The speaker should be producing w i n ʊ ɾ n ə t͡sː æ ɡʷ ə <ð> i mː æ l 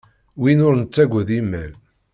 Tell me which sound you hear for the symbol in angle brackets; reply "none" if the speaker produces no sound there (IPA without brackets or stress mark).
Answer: ð